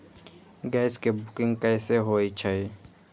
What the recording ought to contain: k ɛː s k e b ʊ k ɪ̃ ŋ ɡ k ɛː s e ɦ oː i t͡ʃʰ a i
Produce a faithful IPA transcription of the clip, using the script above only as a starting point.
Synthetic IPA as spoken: ɡ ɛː s k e b ʊ k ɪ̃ ŋ ɡ k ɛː s e ɦ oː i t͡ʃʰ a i